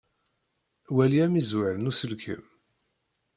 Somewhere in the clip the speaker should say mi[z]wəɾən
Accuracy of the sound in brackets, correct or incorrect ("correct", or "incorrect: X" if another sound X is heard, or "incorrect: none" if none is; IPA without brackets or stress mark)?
correct